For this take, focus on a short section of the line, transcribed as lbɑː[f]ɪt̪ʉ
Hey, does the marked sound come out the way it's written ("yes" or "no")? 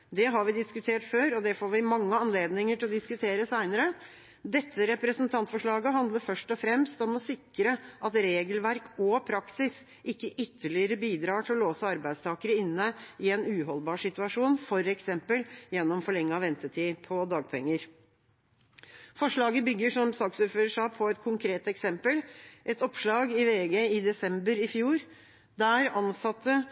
no